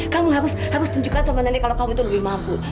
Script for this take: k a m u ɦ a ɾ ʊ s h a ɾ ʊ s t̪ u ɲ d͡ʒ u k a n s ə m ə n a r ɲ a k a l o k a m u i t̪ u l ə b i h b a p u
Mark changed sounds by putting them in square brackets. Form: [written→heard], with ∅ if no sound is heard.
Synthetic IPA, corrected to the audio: k a m u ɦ a ɾ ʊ s h a ɾ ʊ s t̪ u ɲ d͡ʒ u k a n s ə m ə n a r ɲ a k a l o k a m u i t̪ u l ə b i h [b→m] a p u